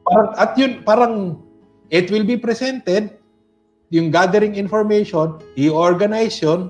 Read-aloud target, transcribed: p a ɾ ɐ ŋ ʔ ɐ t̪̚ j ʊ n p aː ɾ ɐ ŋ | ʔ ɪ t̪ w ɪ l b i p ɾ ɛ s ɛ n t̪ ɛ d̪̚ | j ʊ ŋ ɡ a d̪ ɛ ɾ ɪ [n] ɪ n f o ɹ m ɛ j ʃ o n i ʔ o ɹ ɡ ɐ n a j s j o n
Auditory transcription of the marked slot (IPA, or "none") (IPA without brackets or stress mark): ŋ